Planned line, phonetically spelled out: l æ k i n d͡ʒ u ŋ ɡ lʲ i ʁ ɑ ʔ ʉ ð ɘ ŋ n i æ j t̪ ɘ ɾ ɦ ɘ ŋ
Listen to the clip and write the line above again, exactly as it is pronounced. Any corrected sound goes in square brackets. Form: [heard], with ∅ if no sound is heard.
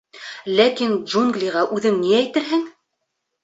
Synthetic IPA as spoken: l æ k i n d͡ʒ u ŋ ɡ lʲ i ʁ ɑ ʔ ʉ ð ɘ ŋ n i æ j t̪ ɘ ɾ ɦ ɘ ŋ